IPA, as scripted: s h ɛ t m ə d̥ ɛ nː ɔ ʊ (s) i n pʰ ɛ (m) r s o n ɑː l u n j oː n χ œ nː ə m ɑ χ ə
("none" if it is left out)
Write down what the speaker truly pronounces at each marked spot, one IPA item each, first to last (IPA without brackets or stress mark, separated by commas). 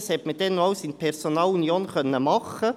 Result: s, none